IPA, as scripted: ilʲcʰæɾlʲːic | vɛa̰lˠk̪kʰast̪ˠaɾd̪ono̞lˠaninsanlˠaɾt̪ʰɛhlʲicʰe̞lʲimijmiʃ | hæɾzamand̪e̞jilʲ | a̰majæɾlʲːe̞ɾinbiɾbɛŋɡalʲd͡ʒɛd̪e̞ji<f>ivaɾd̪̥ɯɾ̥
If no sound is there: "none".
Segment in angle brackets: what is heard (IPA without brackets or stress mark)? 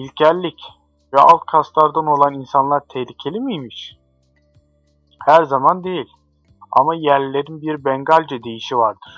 ʃ